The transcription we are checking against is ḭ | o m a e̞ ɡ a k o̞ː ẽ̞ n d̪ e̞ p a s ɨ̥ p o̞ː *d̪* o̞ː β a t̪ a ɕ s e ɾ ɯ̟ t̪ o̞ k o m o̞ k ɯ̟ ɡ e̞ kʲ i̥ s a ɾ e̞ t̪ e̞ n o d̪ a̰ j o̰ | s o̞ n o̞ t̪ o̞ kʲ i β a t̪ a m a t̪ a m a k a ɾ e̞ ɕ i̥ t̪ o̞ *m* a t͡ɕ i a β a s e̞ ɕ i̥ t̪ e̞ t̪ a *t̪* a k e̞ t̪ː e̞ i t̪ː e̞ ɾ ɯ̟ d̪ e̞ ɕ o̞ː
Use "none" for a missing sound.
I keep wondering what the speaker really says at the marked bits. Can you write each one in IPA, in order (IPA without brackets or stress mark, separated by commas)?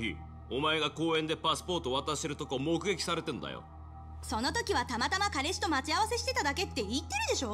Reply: t̪, m, d̪